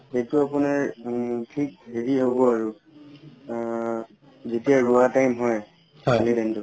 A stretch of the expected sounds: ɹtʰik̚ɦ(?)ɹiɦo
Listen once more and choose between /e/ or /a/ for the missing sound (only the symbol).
e